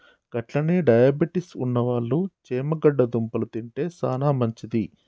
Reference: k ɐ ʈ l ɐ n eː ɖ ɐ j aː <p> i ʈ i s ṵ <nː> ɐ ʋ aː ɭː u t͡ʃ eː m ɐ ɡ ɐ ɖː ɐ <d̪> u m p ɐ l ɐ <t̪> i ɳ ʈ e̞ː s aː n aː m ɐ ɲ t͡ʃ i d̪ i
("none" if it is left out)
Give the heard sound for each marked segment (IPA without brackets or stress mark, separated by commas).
b, nː, d̪, t̪